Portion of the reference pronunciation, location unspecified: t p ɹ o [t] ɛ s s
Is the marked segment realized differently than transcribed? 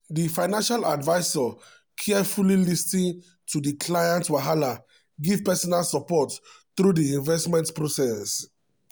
yes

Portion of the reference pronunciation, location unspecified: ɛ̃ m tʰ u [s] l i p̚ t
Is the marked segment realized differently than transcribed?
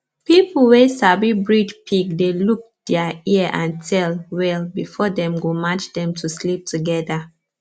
no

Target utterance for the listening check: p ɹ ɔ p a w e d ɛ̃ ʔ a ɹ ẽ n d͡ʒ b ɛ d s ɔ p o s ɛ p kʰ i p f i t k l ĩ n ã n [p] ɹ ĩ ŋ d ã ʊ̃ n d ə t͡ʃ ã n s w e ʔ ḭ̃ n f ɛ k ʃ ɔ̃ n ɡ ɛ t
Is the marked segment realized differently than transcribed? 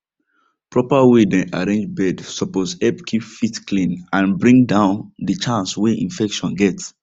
yes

